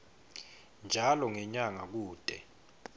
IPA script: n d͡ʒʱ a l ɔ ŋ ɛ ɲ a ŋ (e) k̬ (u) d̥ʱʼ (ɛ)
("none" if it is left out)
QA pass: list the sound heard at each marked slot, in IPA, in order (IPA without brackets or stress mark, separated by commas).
a, uː, ɛ